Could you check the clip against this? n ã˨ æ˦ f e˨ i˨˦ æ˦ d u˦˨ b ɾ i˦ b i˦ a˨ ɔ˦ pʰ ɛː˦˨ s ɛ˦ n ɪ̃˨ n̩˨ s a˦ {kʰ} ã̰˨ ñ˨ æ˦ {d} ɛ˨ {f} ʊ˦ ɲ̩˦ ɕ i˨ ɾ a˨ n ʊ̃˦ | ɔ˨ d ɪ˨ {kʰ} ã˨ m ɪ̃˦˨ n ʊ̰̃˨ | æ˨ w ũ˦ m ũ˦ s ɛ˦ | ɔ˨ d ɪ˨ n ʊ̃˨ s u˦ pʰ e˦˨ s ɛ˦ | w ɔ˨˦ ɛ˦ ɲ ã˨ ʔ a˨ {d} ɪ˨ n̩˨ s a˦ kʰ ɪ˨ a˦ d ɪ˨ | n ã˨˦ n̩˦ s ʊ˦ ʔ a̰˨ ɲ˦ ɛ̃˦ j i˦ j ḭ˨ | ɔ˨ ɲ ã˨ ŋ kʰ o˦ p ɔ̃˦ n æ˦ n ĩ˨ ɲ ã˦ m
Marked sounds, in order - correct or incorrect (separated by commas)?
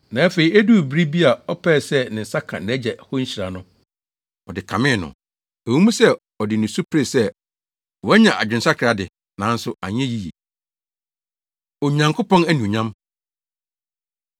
correct, incorrect, incorrect, correct, incorrect